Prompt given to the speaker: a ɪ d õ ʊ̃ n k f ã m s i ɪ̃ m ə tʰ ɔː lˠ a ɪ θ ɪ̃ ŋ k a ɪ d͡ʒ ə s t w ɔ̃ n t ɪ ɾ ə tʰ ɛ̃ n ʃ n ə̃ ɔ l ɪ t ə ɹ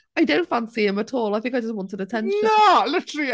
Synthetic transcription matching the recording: a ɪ d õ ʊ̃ n t f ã n s i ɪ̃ m ə tʰ ɔː lˠ a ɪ θ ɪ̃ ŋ k a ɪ d͡ʒ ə s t w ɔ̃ n t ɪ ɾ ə tʰ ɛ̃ n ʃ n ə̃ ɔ l ɪ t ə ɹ